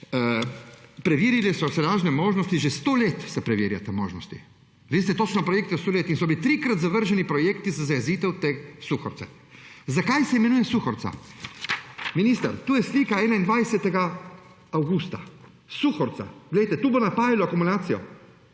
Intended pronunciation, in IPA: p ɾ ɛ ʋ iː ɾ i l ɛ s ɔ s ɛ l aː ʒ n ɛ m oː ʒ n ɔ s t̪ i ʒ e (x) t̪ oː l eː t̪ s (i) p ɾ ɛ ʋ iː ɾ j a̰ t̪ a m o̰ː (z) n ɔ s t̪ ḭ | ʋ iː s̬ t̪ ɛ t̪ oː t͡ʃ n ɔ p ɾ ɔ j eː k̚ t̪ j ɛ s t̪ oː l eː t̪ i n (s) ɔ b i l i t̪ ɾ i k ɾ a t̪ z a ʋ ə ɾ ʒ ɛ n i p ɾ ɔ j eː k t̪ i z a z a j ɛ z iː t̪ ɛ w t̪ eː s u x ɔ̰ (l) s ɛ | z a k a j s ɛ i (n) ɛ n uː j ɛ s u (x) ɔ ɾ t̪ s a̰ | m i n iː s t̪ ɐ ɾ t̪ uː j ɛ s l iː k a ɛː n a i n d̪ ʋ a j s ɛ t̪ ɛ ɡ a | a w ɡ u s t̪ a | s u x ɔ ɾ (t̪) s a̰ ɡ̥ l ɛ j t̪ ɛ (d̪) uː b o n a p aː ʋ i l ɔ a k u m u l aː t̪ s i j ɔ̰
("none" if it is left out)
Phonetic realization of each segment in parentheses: s, ɛ, ʒ, s, ɾ, m, x, t̪, t̪

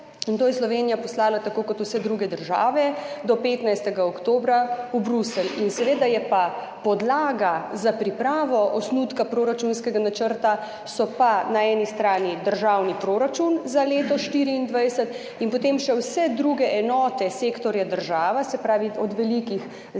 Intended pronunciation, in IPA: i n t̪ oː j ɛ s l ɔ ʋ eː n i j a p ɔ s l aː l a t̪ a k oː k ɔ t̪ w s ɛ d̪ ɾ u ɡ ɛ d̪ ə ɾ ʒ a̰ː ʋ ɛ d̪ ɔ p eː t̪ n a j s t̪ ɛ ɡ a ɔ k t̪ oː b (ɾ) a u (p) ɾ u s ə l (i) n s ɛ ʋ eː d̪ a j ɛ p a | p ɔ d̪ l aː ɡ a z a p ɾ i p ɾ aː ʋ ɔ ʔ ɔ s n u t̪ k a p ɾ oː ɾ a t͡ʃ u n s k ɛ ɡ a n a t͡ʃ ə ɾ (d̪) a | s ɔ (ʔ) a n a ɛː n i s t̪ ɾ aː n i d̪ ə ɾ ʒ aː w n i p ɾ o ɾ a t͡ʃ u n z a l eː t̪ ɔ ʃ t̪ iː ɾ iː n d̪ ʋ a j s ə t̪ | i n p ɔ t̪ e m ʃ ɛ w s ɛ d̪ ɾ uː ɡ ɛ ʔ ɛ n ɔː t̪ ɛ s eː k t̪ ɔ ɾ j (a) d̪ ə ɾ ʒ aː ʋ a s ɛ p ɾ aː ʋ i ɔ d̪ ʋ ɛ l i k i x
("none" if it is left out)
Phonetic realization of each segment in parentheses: ɾ, b, i, t̪, p, a

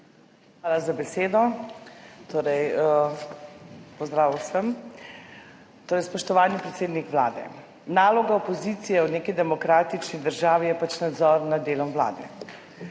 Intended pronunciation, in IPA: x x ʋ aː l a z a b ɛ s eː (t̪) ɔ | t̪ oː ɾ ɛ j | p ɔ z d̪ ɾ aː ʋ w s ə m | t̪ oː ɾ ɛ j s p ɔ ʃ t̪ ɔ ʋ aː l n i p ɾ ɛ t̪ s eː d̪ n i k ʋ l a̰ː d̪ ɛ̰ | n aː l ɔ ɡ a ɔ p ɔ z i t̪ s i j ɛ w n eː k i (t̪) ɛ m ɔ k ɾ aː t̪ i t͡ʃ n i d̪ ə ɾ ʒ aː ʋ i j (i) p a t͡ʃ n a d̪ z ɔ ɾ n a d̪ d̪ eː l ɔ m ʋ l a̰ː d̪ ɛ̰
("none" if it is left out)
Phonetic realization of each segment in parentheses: d̪, d̪, ɛ

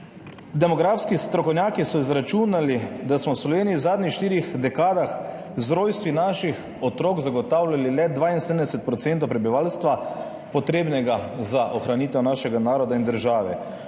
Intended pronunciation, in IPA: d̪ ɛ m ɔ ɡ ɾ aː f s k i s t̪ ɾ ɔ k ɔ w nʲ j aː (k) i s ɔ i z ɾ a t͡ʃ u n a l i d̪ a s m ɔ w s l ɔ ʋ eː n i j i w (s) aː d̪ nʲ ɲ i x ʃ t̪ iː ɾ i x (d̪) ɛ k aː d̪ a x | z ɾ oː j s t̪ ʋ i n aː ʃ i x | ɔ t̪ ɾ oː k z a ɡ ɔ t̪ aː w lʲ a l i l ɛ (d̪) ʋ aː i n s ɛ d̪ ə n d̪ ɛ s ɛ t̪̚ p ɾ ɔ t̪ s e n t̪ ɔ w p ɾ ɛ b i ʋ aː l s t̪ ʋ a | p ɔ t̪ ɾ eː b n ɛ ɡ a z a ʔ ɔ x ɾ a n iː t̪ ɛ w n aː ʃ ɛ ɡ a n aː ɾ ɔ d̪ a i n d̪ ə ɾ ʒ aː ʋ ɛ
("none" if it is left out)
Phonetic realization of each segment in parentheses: k, z, d̪, d̪

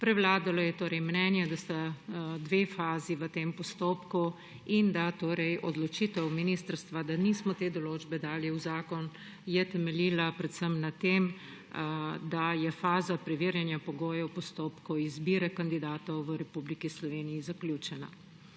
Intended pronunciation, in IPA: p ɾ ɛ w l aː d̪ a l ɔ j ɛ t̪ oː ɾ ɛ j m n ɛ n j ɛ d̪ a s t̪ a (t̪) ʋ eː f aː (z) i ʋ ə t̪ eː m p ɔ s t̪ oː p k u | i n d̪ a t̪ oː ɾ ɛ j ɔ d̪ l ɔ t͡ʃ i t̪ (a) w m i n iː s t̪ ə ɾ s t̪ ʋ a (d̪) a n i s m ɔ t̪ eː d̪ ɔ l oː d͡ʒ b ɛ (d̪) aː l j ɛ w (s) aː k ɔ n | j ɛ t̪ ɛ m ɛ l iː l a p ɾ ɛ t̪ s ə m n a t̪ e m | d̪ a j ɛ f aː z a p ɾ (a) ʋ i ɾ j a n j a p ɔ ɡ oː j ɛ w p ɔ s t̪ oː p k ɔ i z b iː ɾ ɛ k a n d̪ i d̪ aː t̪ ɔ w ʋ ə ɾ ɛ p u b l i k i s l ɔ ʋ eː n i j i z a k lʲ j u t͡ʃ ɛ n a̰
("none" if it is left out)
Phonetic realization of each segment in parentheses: d̪, z, ɛ, d̪, d̪, z, ɛ

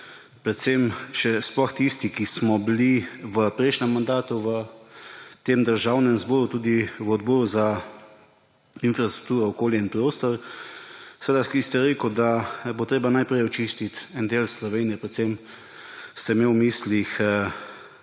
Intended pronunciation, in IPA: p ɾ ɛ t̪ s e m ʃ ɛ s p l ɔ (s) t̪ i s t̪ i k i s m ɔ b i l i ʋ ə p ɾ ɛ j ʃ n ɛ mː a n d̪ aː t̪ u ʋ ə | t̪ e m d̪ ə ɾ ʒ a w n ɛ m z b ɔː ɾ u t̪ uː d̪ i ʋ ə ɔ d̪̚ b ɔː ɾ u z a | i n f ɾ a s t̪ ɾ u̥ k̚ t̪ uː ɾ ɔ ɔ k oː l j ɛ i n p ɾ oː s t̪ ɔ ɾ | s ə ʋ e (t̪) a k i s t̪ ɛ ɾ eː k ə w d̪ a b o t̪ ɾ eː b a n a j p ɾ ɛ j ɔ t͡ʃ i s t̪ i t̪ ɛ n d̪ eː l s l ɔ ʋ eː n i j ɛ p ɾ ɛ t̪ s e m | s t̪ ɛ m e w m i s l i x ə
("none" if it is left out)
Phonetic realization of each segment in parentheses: x, d̪

